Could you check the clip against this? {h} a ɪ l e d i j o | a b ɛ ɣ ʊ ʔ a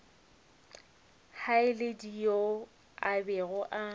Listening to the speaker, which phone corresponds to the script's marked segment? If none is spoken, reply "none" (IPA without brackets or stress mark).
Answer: h